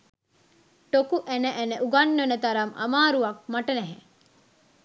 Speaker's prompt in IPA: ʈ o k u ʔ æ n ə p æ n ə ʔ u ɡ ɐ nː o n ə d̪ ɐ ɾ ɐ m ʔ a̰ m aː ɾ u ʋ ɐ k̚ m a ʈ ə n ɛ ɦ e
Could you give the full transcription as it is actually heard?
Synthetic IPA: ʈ o k u ʔ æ n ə ʔ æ n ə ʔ u ɡ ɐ nː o n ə t̪ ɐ ɾ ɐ m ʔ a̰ m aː ɾ u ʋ ɐ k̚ m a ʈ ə n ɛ ɦ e